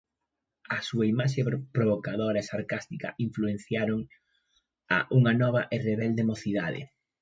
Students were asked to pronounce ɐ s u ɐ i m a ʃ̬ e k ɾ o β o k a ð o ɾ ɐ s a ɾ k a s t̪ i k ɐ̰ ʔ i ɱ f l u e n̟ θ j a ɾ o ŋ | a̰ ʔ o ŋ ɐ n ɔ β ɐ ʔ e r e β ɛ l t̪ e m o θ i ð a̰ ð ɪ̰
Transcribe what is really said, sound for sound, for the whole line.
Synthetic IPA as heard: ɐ s u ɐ i m a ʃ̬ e p ɾ o β o k a ð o ɾ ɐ s a ɾ k a s t̪ i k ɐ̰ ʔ i ɱ f l u e n̟ θ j a ɾ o ŋ | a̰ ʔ u ŋ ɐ n ɔ β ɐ ʔ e r e β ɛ l d̪ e m o θ i ð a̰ ð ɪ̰

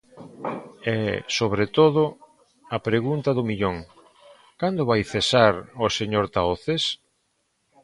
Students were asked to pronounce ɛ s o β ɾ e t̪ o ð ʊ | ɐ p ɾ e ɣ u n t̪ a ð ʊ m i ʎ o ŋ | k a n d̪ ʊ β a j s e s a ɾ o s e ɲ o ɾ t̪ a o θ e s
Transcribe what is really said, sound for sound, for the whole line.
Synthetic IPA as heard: ɛ s o β ɾ e t̪ o ð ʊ | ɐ p ɾ e ɣ u n t̪ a ð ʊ m i ʎ o ŋ | k a n d̪ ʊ β a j θ e s a ɾ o s e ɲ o ɾ t̪ a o θ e s

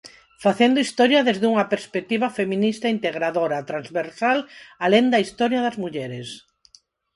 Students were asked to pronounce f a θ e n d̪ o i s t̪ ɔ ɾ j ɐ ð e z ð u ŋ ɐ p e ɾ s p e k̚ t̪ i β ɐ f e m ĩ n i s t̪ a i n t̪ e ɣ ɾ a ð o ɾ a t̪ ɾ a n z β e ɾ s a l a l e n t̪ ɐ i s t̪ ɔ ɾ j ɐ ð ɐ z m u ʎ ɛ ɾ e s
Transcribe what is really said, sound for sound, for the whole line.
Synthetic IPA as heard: f a θ e n d̪ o i s t̪ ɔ ɾ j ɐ ð e z ð u ŋ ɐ p e ɾ s p e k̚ t̪ i β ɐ f e m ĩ n i s t̪ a i n t̪ e ɣ ɾ a ð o ɾ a t̪ ɾ a n z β e ɾ s a l a l e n d̪ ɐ i s t̪ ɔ ɾ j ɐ ð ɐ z m u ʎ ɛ ɾ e s

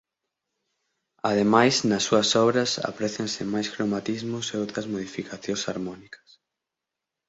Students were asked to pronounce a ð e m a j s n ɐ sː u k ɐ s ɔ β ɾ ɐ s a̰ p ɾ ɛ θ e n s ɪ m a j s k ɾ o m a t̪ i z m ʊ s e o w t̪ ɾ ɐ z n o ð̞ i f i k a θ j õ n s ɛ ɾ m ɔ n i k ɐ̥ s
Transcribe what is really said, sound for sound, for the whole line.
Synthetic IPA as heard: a ð e m a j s n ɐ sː u ɐ s ɔ β ɾ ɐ s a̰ p ɾ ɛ θ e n s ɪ m a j s k ɾ o m a t̪ i z m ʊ s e o w t̪ ɾ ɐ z m o ð̞ i f i k a θ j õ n s a ɾ m ɔ n i k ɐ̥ s

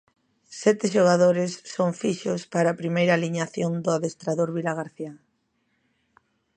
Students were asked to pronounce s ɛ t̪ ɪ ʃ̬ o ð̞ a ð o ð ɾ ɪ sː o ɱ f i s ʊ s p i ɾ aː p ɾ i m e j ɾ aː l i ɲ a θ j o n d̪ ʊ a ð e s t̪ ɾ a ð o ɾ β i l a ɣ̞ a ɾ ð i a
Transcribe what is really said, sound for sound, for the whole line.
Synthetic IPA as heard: s ɛ t̪ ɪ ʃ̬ o ɣ̞ a ð o ɾ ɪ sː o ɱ f i ʃ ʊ s p a ɾ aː p ɾ i m e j ɾ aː l i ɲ a θ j o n d̪ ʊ a ð e s t̪ ɾ a ð o ɾ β i l a ɣ̞ a ɾ θ i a

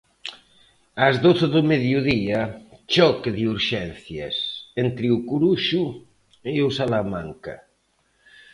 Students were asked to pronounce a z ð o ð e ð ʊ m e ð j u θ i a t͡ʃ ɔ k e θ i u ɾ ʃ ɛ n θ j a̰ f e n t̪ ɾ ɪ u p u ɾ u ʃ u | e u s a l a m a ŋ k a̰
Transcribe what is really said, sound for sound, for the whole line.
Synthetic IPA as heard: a z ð o θ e ð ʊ m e ð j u ð i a t͡ʃ ɔ k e ð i u ɾ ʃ ɛ n θ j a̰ s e n t̪ ɾ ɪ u k u ɾ u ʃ u | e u s a l a m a ŋ k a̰

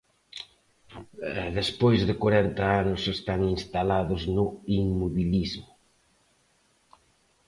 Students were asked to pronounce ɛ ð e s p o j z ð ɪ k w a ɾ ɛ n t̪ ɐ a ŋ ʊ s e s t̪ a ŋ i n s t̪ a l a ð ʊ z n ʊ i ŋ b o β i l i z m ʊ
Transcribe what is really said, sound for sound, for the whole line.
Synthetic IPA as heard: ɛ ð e s p o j z ð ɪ k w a ɾ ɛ n t̪ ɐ a n ʊ s e s t̪ a ŋ i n s t̪ a l a ð ʊ z n ʊ i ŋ m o β i l i z m ʊ

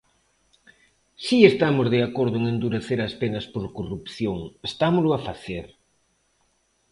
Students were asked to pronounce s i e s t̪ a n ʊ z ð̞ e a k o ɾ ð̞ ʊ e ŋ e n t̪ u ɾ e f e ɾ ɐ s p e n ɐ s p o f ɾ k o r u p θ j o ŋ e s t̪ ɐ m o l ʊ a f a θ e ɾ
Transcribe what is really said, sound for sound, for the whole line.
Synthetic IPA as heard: s i e s t̪ a m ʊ z ð̞ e a k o ɾ ð̞ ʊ e ŋ e n d̪ u ɾ e θ e ɾ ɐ s p e n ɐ s p o ɾ k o r u p θ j o ŋ e s t̪ a m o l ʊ a f a θ e ɾ

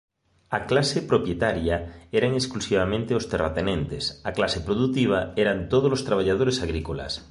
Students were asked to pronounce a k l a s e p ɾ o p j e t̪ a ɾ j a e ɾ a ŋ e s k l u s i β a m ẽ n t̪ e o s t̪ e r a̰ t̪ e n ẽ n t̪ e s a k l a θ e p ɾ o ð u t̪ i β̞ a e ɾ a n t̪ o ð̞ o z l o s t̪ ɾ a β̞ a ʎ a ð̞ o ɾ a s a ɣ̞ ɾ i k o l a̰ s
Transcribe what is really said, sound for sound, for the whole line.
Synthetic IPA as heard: a k l a s e p ɾ o p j e t̪ a ɾ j a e ɾ a ŋ e s k l u s i β a m ẽ n t̪ e o s t̪ e r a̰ t̪ e n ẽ n t̪ e s a k l a s e p ɾ o ð u t̪ i β̞ a e ɾ a n t̪ o ð̞ o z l o s t̪ ɾ a β̞ a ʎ a ð̞ o ɾ e s a ɣ̞ ɾ i k o l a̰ s

